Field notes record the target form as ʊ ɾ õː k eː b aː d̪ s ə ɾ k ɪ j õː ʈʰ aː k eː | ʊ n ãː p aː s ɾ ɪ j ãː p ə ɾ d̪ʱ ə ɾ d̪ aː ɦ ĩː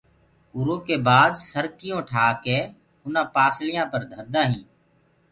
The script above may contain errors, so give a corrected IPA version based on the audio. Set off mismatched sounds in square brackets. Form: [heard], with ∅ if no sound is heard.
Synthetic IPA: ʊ ɾ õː k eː b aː d̪ s ə ɾ k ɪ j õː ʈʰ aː k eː | ʊ n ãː p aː s [l] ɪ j ãː p ə ɾ d̪ʱ ə ɾ d̪ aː ɦ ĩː